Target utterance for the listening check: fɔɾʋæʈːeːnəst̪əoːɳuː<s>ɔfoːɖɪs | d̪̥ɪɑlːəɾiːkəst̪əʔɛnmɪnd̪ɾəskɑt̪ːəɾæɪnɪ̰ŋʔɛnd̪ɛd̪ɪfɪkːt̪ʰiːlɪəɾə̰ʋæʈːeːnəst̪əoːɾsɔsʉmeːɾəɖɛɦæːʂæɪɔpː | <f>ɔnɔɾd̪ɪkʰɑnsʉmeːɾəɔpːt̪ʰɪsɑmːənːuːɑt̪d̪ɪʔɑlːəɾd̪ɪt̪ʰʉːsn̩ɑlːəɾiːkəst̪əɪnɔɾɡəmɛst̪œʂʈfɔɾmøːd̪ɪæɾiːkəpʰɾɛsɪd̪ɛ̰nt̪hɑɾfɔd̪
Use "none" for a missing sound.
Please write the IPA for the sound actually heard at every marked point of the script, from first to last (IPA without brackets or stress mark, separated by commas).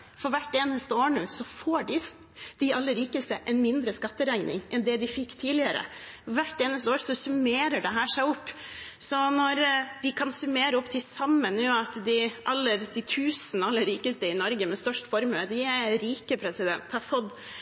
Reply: s, s